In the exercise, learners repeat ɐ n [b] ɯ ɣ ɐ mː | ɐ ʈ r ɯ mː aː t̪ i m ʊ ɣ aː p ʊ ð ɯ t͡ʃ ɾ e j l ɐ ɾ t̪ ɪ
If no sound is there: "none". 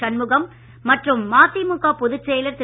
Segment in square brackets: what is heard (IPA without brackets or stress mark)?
m